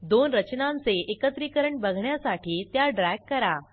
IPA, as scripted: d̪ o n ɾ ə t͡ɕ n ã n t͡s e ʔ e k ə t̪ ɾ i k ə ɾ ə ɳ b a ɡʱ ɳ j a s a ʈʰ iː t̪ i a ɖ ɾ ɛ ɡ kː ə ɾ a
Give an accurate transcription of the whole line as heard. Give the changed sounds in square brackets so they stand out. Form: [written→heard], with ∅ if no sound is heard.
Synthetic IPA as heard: d̪ o n ɾ ə t͡ɕ n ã n t͡s e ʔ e k ə t̪ ɾ i k ə ɾ ə ɳ b [a→ə] ɡʱ ɳ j a s a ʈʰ iː t̪ [i→j] a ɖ ɾ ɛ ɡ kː ə ɾ a